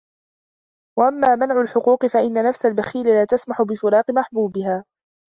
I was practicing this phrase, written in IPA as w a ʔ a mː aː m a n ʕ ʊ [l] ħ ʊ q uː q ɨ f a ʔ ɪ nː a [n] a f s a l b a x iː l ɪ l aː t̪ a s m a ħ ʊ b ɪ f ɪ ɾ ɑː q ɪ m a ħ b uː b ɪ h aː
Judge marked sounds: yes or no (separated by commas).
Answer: yes, yes